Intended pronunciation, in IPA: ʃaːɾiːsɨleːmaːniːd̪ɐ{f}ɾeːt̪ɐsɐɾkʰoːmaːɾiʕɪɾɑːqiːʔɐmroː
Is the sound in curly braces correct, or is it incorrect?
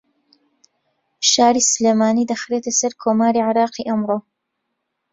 incorrect